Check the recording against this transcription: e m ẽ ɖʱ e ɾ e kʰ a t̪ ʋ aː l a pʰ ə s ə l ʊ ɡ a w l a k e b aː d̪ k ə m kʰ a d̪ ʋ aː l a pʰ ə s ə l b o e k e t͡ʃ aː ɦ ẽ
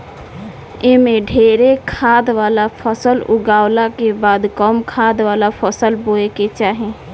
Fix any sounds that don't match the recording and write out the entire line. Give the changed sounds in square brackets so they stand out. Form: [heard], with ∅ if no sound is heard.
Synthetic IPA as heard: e m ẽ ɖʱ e ɾ e kʰ a [d̪] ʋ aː l a pʰ ə s ə l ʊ ɡ a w l a k e b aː d̪ k ə m kʰ a d̪ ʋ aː l a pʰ ə s ə l b o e k e t͡ʃ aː ɦ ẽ

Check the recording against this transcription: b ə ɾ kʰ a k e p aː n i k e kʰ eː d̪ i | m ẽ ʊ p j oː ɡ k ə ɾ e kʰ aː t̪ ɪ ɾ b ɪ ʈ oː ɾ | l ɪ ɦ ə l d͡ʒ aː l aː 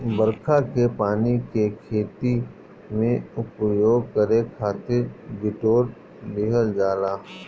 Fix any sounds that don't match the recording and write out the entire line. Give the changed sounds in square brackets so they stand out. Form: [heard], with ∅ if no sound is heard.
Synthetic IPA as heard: b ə ɾ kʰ a k e p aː n i k e kʰ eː [t̪] i | m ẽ ʊ p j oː ɡ k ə ɾ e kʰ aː t̪ ɪ ɾ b ɪ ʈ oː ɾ | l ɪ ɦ ə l d͡ʒ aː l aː

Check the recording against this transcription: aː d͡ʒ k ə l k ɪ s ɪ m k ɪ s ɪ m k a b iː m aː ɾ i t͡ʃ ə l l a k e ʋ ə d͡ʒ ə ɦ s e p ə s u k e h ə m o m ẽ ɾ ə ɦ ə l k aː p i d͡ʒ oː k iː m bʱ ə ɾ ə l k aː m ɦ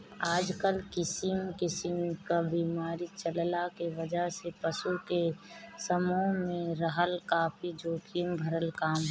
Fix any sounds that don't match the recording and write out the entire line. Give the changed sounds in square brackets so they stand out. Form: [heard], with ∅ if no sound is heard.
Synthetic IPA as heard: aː d͡ʒ k ə l k ɪ s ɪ m k ɪ s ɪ m k a b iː m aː ɾ i t͡ʃ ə l l a k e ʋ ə d͡ʒ ə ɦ s e p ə s u k e [s] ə m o m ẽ ɾ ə ɦ ə l k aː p i d͡ʒ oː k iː m bʱ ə ɾ ə l k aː m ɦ

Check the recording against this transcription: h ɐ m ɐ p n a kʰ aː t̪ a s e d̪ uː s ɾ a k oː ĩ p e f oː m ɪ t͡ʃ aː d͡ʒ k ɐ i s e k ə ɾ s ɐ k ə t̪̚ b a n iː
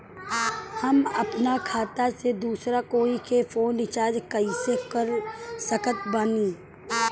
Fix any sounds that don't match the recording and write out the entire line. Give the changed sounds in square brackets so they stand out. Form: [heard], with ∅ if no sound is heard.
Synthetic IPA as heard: h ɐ m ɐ p n a kʰ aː t̪ a s e d̪ uː s ɾ a k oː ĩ [k] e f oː [n] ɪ t͡ʃ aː d͡ʒ k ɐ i s e k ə ɾ s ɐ k ə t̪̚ b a n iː

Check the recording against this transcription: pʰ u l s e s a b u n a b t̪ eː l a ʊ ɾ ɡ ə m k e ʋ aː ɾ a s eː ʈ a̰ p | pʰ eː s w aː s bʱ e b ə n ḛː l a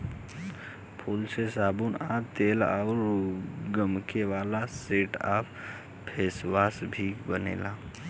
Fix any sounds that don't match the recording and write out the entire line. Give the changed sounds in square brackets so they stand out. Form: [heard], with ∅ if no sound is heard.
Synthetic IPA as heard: pʰ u l s e s a b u n a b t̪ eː l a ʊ ɾ ɡ ə m k e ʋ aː [l] a s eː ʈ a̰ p | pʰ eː s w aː s bʱ [i] b ə n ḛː l a

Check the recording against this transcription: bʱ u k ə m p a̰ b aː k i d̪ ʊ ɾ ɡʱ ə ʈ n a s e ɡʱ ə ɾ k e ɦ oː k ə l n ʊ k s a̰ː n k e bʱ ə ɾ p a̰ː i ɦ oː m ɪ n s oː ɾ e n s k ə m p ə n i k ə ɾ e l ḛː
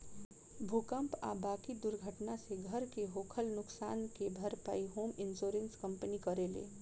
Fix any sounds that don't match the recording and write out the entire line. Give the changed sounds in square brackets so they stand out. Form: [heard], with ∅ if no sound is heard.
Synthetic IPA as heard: bʱ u k ə m p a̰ b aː k i d̪ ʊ ɾ ɡʱ ə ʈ n a s e ɡʱ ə ɾ k e ɦ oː [kʰ] ə l n ʊ k s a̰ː n k e bʱ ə ɾ p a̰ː i ɦ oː m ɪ n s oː ɾ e n s k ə m p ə n i k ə ɾ e l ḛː

